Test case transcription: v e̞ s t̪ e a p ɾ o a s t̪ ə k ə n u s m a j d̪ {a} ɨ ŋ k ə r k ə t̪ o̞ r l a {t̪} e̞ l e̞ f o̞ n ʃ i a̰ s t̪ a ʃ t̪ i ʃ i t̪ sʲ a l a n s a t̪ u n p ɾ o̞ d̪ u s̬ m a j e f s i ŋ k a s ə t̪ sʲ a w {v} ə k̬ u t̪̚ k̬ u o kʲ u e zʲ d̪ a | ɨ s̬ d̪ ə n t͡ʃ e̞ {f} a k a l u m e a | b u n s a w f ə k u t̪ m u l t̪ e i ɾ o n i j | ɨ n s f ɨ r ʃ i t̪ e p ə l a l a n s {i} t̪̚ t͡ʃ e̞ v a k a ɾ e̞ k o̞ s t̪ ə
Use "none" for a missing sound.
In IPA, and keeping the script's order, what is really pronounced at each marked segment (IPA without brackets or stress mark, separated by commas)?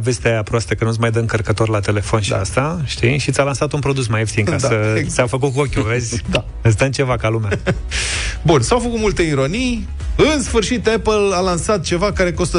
ə, t̪, f, v, a